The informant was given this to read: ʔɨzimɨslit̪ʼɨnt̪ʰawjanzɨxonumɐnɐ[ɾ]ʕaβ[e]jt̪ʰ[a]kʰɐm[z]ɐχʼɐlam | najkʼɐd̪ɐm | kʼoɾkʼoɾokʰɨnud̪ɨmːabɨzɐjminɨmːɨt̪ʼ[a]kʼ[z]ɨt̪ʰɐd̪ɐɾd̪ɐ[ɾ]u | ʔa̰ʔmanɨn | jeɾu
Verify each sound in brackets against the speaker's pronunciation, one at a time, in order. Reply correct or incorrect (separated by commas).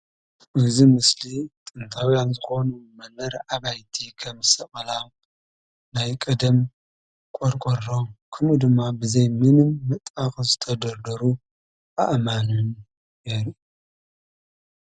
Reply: correct, incorrect, incorrect, incorrect, correct, correct, correct